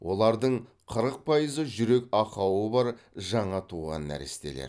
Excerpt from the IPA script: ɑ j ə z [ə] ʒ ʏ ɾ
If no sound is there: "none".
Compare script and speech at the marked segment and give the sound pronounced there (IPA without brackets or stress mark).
ə